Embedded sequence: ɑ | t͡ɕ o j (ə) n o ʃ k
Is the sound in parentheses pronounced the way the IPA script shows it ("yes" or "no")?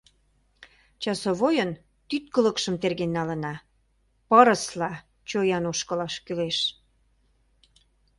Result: no